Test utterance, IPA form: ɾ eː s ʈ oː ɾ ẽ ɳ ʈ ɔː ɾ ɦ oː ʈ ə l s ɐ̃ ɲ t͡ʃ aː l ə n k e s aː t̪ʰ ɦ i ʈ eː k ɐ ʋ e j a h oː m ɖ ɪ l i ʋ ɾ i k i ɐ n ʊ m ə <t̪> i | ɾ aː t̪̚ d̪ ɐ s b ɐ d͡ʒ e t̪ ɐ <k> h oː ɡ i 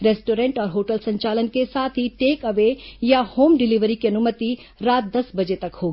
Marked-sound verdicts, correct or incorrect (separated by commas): correct, correct